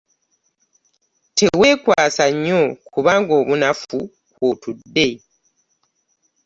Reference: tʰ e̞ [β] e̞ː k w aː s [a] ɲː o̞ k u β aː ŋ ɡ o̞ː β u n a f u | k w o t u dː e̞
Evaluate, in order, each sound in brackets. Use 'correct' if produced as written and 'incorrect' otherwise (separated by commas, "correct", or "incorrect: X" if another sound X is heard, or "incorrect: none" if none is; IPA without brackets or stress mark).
incorrect: w, correct